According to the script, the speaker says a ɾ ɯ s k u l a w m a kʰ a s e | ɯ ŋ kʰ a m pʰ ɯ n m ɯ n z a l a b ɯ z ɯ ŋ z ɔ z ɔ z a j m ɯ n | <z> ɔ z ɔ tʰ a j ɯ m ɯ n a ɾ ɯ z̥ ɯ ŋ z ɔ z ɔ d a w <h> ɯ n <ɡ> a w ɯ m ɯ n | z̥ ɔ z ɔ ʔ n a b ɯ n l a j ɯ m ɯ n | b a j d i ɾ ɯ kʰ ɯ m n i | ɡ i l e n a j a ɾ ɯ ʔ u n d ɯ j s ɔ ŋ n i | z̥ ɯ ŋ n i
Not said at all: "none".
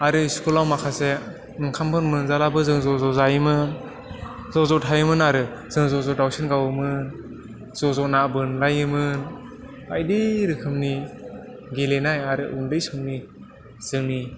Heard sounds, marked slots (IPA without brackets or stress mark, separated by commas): z, s, ɡ